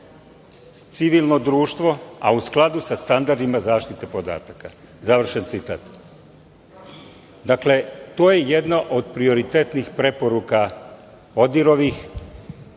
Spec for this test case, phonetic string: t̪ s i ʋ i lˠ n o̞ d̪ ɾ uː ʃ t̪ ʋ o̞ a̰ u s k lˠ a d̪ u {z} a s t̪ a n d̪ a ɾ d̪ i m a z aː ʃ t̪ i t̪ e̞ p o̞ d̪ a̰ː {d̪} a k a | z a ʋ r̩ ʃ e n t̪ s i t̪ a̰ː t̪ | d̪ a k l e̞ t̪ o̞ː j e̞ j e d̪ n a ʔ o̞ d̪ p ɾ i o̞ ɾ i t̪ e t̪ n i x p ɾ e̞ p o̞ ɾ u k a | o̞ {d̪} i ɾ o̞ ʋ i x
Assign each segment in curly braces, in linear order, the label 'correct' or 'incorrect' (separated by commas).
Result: incorrect, incorrect, correct